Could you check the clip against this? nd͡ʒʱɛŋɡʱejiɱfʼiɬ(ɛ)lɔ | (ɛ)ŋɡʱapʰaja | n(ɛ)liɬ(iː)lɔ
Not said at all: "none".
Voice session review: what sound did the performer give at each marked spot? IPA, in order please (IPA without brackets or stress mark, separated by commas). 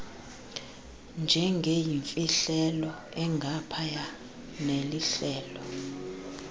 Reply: ɛ, ɛ, e, ɛː